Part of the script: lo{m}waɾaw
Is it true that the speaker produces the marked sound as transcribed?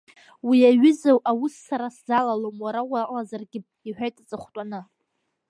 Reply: yes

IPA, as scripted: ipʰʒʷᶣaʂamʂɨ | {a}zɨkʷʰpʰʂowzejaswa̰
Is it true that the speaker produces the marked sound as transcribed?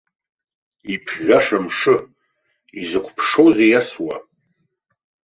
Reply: no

